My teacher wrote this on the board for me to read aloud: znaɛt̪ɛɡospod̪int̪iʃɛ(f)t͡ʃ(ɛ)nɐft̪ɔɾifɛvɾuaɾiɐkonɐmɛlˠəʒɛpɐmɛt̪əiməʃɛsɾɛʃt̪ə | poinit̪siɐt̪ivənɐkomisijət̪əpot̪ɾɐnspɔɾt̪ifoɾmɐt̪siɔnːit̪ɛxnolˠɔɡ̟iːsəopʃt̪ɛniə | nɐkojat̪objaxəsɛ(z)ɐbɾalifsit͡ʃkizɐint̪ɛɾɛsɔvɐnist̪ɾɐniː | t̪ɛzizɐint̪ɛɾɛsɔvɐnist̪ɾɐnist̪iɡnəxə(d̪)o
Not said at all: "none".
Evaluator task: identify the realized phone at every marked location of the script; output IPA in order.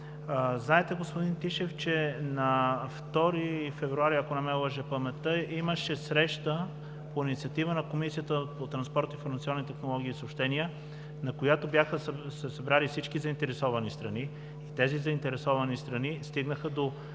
f, ɛ, s, d̪

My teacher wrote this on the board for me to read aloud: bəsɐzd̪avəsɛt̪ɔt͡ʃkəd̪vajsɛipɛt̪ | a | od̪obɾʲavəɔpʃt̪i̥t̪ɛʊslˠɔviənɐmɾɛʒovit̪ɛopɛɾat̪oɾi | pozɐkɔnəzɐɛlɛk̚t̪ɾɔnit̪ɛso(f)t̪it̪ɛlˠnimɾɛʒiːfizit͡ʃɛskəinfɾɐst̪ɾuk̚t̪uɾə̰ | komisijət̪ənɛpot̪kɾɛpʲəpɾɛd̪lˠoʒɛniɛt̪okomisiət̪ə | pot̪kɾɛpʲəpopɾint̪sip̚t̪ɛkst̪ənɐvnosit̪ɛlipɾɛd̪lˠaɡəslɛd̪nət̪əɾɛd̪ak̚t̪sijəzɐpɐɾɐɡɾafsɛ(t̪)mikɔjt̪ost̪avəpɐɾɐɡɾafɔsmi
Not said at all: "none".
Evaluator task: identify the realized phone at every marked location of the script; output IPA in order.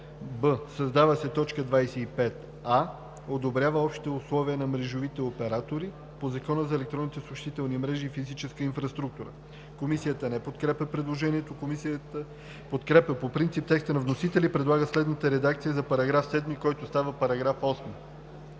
ʃ, d̪

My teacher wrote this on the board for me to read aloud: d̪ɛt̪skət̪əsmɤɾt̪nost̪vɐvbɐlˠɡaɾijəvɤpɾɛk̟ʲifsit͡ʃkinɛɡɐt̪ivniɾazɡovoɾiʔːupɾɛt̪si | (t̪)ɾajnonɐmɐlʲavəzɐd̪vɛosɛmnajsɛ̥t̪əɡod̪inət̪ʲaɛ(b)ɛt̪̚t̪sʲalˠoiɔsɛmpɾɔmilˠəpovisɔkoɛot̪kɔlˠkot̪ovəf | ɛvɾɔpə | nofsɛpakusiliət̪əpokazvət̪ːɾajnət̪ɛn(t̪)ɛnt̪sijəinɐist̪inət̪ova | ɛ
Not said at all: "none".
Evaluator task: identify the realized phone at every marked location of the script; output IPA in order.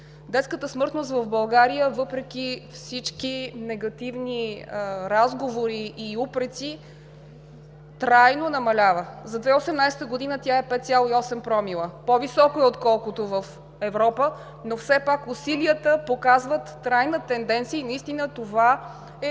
t̪, p, d̪

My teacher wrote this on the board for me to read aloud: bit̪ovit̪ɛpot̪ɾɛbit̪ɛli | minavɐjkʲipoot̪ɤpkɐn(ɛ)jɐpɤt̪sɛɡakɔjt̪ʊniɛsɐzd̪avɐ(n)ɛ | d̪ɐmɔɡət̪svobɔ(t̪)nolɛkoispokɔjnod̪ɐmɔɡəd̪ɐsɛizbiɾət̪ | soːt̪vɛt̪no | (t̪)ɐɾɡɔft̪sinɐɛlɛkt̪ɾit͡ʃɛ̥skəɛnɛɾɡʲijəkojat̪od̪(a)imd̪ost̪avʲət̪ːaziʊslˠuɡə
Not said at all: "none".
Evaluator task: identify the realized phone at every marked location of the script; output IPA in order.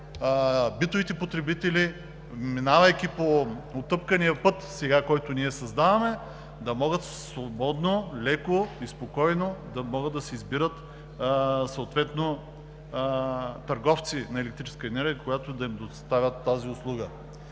i, m, d̪, t̪, ɐ

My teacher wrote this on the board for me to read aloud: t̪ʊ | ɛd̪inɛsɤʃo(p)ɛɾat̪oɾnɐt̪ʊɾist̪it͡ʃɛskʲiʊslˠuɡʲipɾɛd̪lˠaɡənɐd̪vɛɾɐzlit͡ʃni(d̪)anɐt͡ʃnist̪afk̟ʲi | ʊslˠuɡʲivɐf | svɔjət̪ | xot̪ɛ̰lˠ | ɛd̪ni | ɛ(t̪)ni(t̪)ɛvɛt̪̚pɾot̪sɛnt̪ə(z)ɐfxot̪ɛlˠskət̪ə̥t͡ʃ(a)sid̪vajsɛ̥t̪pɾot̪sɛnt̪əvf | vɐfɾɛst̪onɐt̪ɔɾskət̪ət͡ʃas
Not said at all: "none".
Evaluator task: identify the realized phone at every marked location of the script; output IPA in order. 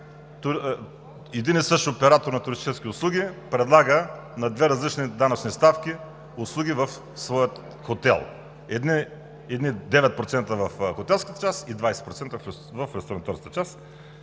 p, d̪, d̪, d̪, v, a

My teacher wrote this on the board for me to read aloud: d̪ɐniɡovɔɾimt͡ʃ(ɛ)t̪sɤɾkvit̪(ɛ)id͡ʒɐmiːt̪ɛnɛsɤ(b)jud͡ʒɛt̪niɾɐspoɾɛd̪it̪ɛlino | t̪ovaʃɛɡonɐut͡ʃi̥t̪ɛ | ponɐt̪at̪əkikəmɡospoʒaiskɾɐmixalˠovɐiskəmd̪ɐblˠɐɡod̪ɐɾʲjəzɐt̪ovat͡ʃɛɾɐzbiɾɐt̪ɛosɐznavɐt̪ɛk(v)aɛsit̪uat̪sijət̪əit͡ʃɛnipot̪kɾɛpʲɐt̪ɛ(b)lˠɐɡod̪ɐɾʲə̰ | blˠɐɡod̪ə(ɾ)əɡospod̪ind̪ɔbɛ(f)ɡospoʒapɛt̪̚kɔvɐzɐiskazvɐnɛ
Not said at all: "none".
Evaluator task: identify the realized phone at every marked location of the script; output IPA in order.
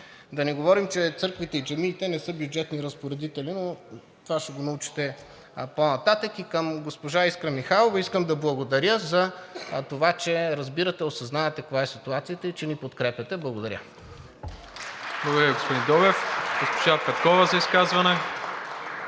ɛ, ɛ, b, v, b, ɾ, f

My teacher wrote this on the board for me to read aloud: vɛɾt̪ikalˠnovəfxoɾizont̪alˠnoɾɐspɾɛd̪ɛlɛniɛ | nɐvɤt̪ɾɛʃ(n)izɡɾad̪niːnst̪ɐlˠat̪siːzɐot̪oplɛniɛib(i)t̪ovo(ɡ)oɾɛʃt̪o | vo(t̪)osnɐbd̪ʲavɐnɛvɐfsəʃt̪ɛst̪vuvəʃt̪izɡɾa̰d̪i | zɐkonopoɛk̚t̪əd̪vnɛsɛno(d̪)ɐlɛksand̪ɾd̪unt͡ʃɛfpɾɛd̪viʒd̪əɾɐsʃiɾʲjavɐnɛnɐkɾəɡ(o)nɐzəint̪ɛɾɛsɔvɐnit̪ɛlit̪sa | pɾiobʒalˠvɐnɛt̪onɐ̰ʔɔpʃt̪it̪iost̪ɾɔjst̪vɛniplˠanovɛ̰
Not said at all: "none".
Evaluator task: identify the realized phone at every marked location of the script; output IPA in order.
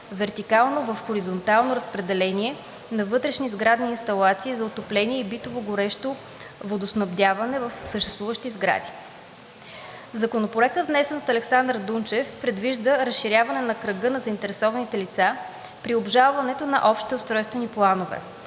n, i, ɡ, d̪, t̪, ɤ

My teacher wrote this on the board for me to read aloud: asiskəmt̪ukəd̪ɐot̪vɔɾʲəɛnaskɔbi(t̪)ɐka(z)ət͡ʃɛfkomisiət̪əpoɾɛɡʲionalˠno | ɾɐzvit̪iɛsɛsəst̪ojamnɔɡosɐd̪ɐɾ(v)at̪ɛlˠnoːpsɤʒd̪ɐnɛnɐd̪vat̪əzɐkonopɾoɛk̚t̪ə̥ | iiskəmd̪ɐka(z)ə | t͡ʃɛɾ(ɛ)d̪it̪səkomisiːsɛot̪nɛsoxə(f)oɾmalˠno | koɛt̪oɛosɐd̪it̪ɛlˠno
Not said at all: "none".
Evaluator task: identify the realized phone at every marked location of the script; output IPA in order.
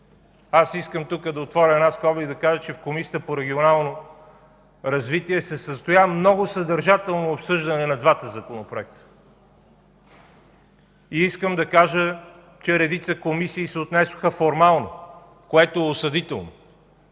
d̪, ʒ, ʒ, ʒ, ɛ, f

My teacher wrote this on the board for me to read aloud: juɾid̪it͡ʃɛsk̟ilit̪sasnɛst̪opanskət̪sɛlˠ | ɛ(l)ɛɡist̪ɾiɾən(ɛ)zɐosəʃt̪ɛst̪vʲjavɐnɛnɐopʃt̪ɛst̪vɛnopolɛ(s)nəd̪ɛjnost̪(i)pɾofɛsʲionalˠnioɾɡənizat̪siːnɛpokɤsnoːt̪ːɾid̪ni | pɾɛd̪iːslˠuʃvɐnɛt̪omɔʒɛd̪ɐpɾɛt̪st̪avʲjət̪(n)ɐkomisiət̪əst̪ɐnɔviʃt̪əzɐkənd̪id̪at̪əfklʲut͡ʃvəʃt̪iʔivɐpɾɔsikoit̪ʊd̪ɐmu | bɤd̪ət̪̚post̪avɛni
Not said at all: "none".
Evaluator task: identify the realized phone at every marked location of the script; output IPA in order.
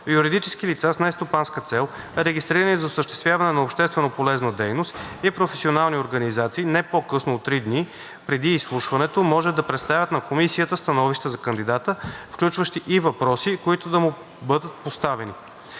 ɾ, i, z, i, n

